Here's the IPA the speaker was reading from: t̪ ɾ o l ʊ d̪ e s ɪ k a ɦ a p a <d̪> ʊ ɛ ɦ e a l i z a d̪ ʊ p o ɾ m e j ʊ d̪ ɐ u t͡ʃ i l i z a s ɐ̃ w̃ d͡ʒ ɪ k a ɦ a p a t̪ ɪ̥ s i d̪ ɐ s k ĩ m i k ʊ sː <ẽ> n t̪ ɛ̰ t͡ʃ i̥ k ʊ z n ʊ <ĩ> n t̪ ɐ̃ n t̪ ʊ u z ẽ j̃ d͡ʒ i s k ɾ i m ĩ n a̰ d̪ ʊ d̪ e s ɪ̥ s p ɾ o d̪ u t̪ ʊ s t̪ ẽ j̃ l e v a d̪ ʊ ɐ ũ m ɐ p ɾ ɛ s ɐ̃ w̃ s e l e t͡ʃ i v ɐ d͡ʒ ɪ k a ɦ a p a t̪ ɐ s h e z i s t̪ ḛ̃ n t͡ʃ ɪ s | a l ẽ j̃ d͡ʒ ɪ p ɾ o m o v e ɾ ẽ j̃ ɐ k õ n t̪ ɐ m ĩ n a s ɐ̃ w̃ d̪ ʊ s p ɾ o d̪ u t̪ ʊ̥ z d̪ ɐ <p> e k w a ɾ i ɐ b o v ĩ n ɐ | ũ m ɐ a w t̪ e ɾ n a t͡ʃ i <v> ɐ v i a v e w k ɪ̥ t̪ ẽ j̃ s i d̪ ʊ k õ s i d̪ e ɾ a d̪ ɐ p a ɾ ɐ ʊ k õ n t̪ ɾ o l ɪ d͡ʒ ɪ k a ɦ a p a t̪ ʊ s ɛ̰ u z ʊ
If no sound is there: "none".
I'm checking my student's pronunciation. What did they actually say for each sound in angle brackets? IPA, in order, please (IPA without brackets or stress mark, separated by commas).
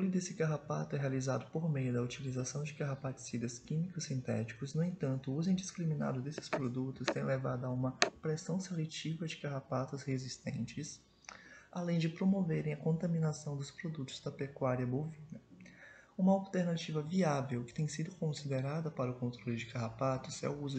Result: t̪, ĩ, ẽ, p, v